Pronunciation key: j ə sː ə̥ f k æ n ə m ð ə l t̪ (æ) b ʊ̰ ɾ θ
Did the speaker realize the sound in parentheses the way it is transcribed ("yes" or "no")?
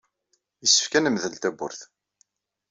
yes